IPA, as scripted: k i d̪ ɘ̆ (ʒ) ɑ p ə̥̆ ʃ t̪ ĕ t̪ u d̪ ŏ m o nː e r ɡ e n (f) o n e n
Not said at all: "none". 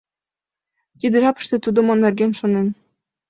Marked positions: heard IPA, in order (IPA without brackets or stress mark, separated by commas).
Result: ʒ, ʃ